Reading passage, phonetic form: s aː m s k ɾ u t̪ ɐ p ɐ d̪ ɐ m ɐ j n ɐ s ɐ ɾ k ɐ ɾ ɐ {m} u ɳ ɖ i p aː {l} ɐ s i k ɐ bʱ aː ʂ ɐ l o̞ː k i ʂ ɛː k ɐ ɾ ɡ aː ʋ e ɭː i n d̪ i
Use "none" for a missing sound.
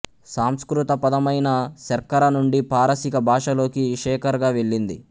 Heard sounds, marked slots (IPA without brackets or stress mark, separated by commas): n, ɾ